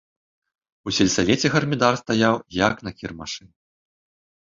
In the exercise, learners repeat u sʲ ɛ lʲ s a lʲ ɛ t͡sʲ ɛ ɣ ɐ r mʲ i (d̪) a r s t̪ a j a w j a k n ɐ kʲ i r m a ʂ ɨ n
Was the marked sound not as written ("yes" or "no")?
no